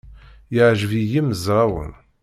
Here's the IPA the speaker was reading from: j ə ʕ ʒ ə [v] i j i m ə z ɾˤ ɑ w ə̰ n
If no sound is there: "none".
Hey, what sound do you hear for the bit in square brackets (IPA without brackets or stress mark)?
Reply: v